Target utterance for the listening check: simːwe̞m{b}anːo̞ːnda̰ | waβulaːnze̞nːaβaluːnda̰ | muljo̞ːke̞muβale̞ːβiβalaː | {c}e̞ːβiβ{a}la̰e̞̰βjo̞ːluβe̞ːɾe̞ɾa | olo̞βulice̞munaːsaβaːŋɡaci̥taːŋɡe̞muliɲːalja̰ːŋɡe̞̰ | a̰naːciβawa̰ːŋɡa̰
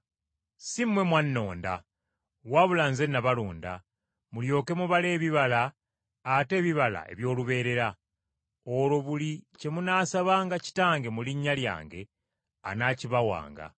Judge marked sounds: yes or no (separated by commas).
no, no, yes